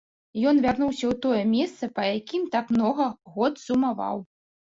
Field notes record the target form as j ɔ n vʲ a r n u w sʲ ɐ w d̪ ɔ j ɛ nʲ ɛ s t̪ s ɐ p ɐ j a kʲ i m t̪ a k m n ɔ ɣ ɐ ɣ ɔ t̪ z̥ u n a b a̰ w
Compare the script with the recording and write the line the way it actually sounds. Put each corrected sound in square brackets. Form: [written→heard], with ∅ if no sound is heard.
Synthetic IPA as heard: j ɔ n vʲ a r n u w sʲ ɐ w [d̪→t̪] ɔ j ɛ [nʲ→mʲ] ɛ s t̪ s ɐ p ɐ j a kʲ i m t̪ a k m n ɔ ɣ ɐ ɣ ɔ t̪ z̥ u [n→m] a [b→v] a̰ w